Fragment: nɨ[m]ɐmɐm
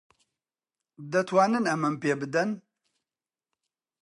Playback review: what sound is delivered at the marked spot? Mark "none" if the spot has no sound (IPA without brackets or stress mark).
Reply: n